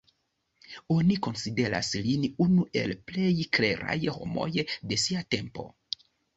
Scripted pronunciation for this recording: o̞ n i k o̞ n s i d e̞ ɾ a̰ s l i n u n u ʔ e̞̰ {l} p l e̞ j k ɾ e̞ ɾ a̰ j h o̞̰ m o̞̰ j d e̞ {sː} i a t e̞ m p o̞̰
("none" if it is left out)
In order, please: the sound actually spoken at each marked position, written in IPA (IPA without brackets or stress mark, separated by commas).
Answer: l, s